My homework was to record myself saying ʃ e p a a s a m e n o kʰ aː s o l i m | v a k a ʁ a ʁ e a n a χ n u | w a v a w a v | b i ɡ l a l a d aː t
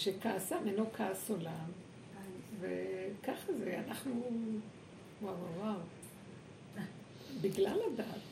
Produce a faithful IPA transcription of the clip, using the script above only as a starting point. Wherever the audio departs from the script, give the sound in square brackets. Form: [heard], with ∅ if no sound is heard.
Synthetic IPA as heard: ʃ e [k] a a s a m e n o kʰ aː s o l [a] m | v [e] k a [χ] a [z] e a n a χ n u | w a [w] a w a [w] | b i ɡ l a l a d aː t